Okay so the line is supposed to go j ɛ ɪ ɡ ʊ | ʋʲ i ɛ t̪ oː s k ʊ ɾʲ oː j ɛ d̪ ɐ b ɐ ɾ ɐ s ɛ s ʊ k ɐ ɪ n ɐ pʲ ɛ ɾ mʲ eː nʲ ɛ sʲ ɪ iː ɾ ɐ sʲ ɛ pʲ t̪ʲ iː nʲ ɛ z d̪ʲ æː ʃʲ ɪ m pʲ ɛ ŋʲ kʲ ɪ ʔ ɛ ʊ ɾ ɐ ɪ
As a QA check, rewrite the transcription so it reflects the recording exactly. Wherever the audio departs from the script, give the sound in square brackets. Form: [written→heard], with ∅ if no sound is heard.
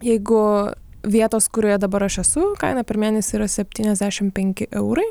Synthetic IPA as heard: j ɛ ɪ ɡ ʊ | ʋʲ i ɛ t̪ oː s k ʊ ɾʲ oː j ɛ d̪ ɐ b ɐ ɾ ɐ [s→ʃ] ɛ s ʊ k ɐ ɪ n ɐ pʲ ɛ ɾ mʲ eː nʲ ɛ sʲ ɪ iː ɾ ɐ sʲ ɛ pʲ t̪ʲ iː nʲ ɛ z d̪ʲ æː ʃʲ ɪ m pʲ ɛ ŋʲ kʲ ɪ ʔ ɛ ʊ ɾ ɐ ɪ

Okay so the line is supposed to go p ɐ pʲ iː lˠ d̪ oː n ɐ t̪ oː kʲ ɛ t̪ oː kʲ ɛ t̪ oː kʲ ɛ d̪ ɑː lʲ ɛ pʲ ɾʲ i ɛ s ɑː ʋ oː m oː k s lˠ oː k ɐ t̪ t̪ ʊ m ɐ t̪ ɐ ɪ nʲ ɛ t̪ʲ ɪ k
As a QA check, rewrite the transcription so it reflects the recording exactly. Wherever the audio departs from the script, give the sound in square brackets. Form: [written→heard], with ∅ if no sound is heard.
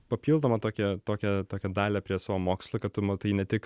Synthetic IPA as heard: p ɐ pʲ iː lˠ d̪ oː [n→m] ɐ t̪ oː kʲ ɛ t̪ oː kʲ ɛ t̪ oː kʲ ɛ d̪ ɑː lʲ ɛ pʲ ɾʲ i ɛ s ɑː ʋ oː m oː k s lˠ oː k ɐ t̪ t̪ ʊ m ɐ t̪ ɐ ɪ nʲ ɛ t̪ʲ ɪ k

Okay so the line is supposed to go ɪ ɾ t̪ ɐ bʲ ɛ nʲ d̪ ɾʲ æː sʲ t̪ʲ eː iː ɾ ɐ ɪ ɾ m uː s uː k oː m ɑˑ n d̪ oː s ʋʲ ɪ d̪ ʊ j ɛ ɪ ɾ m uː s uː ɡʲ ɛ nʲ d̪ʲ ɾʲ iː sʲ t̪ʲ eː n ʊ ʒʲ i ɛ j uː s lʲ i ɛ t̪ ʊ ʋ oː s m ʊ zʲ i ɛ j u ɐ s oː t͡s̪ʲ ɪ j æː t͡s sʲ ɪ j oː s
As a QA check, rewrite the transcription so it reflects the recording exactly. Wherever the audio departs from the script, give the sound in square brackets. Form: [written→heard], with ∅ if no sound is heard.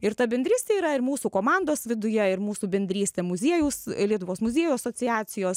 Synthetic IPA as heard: ɪ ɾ t̪ ɐ bʲ ɛ nʲ d̪ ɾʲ [æː→iː] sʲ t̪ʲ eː iː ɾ ɐ ɪ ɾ m uː s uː k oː m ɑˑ n d̪ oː s ʋʲ ɪ d̪ ʊ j ɛ ɪ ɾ m uː s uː [ɡʲ→bʲ] ɛ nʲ d̪ʲ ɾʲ iː sʲ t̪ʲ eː [n→m] ʊ [ʒʲ→zʲ] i ɛ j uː s lʲ i ɛ t̪ ʊ ʋ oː s m ʊ zʲ i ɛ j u ɐ s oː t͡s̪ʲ ɪ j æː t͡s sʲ ɪ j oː s

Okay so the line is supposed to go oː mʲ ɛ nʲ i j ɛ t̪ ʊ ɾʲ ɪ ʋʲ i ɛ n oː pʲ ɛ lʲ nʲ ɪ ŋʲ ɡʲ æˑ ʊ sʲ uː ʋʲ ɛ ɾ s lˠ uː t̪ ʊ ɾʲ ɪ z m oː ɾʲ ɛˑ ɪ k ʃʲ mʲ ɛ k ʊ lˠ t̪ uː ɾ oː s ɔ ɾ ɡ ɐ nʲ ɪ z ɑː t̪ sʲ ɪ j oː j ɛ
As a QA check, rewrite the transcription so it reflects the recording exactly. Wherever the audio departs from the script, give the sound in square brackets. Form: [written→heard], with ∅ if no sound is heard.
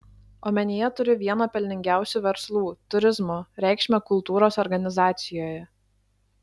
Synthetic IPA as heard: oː mʲ ɛ nʲ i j ɛ t̪ ʊ ɾʲ ɪ ʋʲ i ɛ n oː pʲ ɛ lʲ nʲ ɪ ŋʲ ɡʲ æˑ ʊ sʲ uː ʋʲ ɛ ɾ s lˠ uː t̪ ʊ ɾʲ ɪ z m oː ɾʲ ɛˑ ɪ k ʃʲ mʲ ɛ k ʊ lˠ t̪ uː ɾ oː s ɔ ɾ ɡ ɐ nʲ ɪ z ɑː t̪ sʲ ɪ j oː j ɛ

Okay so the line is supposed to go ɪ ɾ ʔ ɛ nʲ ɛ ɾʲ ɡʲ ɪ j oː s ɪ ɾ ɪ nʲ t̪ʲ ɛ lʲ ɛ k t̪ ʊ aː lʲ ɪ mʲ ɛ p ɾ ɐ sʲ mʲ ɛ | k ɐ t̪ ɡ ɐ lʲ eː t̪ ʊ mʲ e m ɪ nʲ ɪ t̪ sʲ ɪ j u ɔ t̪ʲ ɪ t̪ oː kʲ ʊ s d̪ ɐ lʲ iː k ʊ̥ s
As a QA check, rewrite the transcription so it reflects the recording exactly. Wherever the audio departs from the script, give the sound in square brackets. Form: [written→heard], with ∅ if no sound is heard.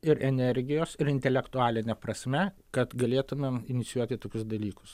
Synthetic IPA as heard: ɪ ɾ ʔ ɛ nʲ ɛ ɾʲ ɡʲ ɪ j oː s ɪ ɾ ɪ nʲ t̪ʲ ɛ lʲ ɛ k t̪ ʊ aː lʲ ɪ [mʲ→nʲ] ɛ p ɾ ɐ sʲ mʲ ɛ | k ɐ t̪ ɡ ɐ lʲ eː t̪ ʊ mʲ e m ɪ nʲ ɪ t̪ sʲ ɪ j u ɔ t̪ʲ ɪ t̪ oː kʲ ʊ s d̪ ɐ lʲ iː k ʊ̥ s

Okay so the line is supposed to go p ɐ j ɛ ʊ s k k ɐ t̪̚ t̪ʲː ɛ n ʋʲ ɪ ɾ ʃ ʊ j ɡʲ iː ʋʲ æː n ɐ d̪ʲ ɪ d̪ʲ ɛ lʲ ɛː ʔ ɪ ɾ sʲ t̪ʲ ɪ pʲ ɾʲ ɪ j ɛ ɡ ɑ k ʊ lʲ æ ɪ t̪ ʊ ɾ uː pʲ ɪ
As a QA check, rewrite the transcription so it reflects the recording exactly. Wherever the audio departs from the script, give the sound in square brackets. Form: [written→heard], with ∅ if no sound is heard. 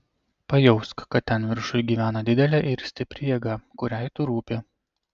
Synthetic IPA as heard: p ɐ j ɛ ʊ s k k ɐ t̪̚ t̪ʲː ɛ n ʋʲ ɪ ɾ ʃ ʊ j ɡʲ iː ʋʲ æː n ɐ d̪ʲ ɪ d̪ʲ ɛ lʲ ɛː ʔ ɪ ɾ sʲ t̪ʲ ɪ pʲ ɾʲ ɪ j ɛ ɡ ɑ k ʊ [lʲ→ɾʲ] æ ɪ t̪ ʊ ɾ uː pʲ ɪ

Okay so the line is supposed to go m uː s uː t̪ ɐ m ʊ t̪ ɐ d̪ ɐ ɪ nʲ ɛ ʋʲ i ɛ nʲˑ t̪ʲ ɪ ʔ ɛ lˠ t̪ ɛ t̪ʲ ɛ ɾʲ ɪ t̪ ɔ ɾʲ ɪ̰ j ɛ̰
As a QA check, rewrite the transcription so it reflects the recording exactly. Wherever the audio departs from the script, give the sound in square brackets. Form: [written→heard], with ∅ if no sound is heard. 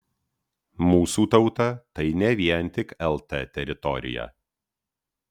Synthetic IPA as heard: m uː s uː t̪ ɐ [m→∅] ʊ t̪ ɐ [d̪→t̪] ɐ ɪ nʲ ɛ ʋʲ i ɛ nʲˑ t̪ʲ ɪ [ʔ→k] ɛ lˠ t̪ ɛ t̪ʲ ɛ ɾʲ ɪ t̪ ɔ ɾʲ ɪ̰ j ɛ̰

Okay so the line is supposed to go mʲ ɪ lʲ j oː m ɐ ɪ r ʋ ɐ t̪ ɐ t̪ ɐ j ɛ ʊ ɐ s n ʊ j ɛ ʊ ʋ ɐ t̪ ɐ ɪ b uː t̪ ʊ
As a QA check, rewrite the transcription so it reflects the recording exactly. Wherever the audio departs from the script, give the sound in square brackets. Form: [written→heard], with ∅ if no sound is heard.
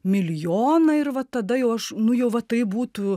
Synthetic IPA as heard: mʲ ɪ lʲ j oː [m→n] ɐ ɪ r ʋ ɐ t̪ ɐ [t̪→d̪] ɐ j ɛ ʊ ɐ [s→ʃ] n ʊ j ɛ ʊ ʋ ɐ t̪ ɐ ɪ b uː t̪ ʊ

